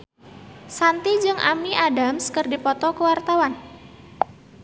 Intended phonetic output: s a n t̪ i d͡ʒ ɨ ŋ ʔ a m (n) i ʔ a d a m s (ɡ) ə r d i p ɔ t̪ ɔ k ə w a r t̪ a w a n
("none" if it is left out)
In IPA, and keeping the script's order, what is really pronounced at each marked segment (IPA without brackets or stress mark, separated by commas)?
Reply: n, k